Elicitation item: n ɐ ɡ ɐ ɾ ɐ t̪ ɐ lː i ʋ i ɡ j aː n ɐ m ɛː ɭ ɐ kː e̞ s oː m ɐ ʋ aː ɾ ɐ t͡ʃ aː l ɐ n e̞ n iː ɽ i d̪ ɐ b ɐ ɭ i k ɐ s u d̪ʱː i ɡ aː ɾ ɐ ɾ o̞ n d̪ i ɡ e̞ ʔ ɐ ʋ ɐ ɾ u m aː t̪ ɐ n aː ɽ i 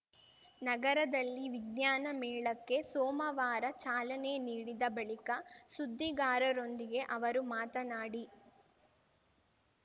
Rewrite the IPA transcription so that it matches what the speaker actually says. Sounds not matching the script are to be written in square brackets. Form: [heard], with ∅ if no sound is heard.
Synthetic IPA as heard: n ɐ ɡ ɐ ɾ ɐ [d̪] ɐ lː i ʋ i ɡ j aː n ɐ m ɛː ɭ ɐ kː e̞ s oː m ɐ ʋ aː ɾ ɐ t͡ʃ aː l ɐ n e̞ n iː ɽ i d̪ ɐ b ɐ ɭ i k ɐ s u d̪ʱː i ɡ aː ɾ ɐ ɾ o̞ n d̪ i ɡ e̞ ʔ ɐ ʋ ɐ ɾ u m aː t̪ ɐ n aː ɽ i